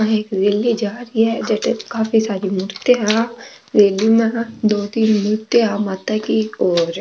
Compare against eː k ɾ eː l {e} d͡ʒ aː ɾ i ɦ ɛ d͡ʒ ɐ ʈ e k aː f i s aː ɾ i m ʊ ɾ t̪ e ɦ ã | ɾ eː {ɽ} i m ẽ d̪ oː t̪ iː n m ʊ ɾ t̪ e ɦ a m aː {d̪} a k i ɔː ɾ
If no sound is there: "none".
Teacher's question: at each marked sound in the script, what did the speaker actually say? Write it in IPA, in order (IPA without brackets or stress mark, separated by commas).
i, l, t̪